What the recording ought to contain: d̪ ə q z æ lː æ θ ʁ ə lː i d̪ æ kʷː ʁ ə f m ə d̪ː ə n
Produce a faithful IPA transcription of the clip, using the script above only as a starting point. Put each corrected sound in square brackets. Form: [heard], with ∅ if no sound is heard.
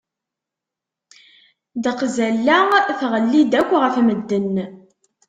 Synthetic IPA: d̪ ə q z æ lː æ θ ʁ ə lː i d̪ æ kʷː ʁ ə f m ə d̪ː ə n